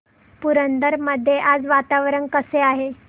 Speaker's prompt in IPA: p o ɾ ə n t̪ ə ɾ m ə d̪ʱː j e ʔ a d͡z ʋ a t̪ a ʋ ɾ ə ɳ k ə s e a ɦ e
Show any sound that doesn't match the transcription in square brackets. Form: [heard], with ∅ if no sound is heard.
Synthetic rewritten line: p [u] ɾ ə n [d̪] ə ɾ m ə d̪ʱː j e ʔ a d͡z ʋ a t̪ a ʋ ɾ ə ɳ k ə s e a ɦ e